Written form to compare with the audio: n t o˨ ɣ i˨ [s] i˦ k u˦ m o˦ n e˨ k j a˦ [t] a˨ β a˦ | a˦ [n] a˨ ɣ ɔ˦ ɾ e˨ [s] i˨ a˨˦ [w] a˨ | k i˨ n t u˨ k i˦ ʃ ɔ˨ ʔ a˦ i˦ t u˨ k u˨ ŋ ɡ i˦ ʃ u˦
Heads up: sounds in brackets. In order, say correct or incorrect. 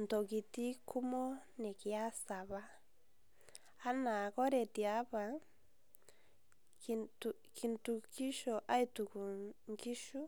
incorrect, incorrect, correct, incorrect, incorrect

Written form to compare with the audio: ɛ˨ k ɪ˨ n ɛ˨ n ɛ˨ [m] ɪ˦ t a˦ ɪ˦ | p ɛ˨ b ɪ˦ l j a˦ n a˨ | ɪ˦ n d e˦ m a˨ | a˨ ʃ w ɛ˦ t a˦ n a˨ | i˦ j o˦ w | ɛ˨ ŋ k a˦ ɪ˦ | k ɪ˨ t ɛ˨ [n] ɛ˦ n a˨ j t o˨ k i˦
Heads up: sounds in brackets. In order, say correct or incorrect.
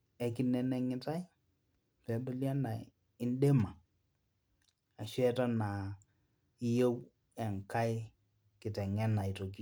incorrect, incorrect

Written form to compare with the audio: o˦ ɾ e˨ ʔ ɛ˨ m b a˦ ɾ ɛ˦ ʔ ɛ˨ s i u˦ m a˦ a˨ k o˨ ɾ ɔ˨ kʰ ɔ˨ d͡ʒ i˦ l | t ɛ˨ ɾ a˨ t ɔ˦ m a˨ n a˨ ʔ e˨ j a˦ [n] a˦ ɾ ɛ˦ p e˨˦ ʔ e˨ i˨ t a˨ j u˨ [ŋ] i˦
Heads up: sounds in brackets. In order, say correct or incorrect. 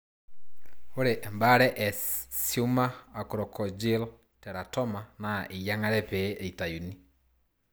incorrect, incorrect

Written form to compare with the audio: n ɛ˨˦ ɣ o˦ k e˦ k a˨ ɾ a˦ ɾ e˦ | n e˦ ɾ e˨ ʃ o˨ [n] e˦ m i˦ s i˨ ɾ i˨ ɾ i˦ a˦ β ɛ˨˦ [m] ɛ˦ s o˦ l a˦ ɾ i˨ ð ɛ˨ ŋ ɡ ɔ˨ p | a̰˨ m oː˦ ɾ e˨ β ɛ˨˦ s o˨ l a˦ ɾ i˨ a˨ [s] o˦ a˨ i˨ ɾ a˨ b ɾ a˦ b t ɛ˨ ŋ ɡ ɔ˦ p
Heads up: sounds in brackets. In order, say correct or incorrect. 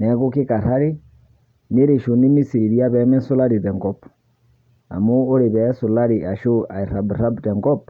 correct, correct, incorrect

